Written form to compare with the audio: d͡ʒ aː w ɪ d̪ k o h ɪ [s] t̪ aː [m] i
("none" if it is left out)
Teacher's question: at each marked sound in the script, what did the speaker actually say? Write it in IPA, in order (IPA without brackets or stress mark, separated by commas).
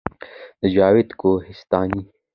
s, n